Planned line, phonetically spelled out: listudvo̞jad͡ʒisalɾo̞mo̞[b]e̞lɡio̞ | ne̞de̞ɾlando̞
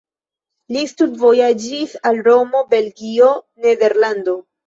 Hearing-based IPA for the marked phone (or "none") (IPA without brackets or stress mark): b